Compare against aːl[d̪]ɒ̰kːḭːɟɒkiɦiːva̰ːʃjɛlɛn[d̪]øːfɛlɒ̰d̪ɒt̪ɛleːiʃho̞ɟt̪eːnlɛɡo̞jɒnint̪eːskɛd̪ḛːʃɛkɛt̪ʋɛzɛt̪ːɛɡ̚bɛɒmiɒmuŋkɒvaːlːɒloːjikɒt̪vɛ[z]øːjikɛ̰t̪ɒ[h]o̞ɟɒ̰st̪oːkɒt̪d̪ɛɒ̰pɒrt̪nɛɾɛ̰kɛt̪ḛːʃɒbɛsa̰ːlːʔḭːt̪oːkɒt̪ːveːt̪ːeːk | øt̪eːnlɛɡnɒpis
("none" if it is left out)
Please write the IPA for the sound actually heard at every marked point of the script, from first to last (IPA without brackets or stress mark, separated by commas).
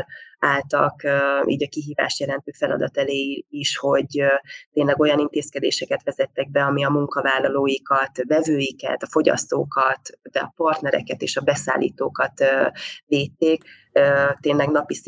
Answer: t̪, t̪, v, f